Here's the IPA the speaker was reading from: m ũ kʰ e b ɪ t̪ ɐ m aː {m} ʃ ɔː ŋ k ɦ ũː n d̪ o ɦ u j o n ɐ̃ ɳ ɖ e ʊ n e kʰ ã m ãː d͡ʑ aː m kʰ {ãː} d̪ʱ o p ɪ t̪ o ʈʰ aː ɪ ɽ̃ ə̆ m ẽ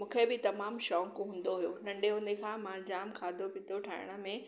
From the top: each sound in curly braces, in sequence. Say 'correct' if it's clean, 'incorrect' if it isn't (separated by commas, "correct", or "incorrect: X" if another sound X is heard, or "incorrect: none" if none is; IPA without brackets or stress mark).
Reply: correct, incorrect: aː